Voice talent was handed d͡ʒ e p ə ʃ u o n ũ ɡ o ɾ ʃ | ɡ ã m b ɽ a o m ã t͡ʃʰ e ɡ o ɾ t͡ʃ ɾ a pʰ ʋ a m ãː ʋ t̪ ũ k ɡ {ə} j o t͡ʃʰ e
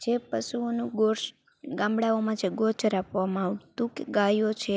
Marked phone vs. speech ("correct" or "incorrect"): incorrect